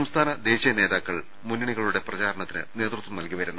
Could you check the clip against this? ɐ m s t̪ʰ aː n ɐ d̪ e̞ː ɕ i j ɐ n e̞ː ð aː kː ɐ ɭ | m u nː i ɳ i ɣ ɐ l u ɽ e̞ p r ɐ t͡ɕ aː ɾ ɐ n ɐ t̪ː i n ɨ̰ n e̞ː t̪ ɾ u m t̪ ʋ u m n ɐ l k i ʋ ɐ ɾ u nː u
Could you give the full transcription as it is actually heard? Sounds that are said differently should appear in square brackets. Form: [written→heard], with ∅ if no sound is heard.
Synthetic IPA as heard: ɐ m s t̪ʰ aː n ɐ d̪ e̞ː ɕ i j ɐ n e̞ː ð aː kː ɐ ɭ | m u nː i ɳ i ɣ ɐ [l→ɭ] u ɽ e̞ p r ɐ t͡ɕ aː ɾ ɐ [n→ɳ] ɐ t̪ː i n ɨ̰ n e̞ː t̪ [ɾ→r] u [m→∅] t̪ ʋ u m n ɐ l k i ʋ ɐ ɾ u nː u